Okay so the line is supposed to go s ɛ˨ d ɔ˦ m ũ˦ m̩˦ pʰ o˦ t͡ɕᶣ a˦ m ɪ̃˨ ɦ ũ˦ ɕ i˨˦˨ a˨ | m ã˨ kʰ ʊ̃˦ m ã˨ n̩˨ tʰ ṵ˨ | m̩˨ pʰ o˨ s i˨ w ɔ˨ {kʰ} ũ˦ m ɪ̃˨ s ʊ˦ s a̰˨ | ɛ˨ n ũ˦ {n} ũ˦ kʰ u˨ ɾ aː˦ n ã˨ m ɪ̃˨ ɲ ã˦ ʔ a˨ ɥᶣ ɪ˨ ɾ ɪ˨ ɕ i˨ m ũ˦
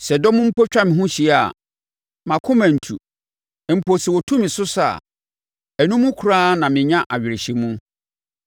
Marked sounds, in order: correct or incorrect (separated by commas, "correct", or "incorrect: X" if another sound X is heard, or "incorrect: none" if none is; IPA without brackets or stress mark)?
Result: incorrect: tʰ, incorrect: m